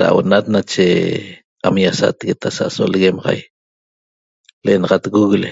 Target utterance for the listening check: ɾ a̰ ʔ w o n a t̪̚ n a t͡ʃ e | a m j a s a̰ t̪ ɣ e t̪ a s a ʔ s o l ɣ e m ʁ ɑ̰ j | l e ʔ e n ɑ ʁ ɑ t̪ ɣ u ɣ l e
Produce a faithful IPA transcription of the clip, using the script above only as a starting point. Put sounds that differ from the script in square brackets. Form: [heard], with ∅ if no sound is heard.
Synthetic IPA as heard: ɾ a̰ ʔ w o n a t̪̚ n a t͡ʃ e | a m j a s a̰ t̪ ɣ e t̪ a s a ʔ s o l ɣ e m ʁ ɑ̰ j | l e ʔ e n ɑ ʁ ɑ t̪ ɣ u ɣ l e